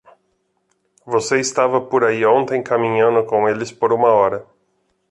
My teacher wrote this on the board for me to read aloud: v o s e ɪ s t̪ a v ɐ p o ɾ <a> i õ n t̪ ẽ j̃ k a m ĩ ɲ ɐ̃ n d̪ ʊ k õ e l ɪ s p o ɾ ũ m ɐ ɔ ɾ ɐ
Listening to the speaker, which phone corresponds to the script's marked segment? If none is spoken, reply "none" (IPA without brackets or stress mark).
a